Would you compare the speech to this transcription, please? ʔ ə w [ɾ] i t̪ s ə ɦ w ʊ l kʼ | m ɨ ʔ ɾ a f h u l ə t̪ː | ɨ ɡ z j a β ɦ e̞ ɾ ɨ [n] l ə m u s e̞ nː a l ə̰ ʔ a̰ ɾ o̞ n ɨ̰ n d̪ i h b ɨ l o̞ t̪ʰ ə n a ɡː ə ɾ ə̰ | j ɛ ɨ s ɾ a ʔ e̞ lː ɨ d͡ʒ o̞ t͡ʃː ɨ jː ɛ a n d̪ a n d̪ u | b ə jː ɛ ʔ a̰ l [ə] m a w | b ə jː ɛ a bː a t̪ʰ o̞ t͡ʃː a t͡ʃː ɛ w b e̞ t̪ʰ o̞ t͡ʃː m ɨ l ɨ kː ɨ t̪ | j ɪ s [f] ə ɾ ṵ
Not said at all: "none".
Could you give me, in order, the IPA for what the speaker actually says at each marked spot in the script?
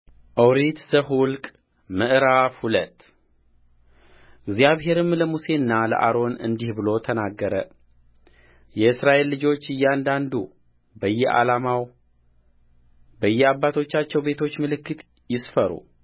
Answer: ɾ, m, a, f

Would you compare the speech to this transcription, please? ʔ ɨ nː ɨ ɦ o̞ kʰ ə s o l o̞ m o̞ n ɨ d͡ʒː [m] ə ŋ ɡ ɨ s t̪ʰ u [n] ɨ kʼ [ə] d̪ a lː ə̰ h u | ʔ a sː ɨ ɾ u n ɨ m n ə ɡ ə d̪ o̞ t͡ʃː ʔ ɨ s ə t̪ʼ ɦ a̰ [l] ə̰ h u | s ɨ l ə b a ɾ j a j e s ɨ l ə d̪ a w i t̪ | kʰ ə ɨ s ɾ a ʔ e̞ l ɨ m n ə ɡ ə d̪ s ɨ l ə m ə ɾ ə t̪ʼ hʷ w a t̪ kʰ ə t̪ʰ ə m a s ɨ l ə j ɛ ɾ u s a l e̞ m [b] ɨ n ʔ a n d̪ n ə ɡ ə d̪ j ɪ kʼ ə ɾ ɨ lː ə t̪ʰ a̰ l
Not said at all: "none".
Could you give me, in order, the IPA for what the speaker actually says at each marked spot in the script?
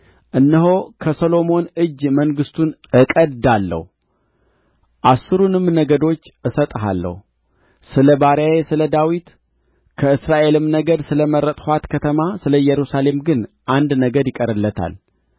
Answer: m, n, ə, lː, ɡ

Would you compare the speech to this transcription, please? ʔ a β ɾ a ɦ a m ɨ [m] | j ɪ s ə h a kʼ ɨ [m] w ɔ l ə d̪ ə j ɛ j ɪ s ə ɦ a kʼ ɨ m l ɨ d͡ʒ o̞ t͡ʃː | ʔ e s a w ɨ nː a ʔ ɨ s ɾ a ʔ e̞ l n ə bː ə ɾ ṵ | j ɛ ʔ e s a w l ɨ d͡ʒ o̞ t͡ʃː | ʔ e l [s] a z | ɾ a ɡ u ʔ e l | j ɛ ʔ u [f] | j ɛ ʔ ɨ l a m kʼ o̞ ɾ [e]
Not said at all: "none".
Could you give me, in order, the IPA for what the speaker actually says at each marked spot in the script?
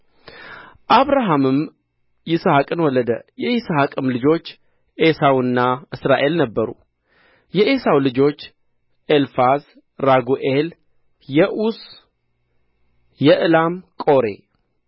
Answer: m, n, f, s, e

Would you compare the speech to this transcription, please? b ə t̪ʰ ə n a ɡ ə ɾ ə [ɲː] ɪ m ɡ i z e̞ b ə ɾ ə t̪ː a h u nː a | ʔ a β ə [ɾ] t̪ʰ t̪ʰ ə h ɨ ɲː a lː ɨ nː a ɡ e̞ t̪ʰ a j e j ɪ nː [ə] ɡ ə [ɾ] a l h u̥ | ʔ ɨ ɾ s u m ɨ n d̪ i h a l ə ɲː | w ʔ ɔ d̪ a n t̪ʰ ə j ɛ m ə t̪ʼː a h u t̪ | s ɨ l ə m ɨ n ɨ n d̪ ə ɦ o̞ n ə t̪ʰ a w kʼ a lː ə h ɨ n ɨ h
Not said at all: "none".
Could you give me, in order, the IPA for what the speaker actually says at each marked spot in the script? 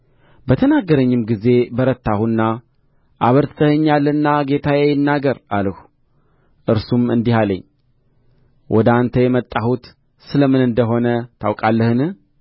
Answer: ɲː, ɾ, a, ɾ

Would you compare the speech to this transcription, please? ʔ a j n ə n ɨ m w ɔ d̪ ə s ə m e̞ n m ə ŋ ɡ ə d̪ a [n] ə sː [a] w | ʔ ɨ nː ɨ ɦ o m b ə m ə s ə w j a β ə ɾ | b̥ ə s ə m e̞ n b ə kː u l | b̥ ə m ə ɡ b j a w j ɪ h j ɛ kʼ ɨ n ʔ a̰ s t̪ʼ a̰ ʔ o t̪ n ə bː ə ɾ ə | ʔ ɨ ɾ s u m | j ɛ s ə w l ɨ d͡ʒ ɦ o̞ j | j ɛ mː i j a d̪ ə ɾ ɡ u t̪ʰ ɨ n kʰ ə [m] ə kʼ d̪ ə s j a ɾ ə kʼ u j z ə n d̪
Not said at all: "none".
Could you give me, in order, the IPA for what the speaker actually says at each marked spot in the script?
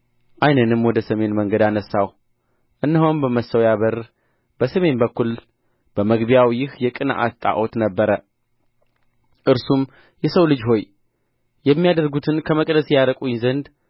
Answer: n, a, m

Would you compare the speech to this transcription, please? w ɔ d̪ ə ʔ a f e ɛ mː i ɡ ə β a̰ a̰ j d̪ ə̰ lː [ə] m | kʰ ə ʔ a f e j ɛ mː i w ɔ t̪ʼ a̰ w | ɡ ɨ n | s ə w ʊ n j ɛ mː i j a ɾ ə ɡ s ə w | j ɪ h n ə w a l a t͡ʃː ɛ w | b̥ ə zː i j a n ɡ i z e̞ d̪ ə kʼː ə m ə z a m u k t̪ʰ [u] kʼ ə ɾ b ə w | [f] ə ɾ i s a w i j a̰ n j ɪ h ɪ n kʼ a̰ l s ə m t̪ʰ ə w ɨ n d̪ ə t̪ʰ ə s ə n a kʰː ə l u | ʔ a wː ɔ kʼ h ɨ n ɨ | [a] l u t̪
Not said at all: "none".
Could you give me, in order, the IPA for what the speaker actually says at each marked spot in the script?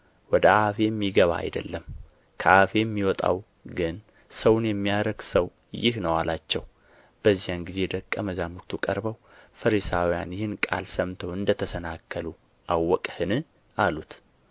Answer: ə, u, f, a

